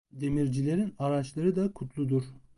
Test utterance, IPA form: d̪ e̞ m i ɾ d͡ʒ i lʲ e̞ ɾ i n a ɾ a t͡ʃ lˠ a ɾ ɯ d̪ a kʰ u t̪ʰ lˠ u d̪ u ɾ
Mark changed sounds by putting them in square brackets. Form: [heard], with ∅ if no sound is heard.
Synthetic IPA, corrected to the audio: d̪ e̞ m i ɾ d͡ʒ i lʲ e̞ ɾ i n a ɾ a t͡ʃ lˠ a ɾ ɯ d̪ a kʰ u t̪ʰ lˠ u d̪ u ɾ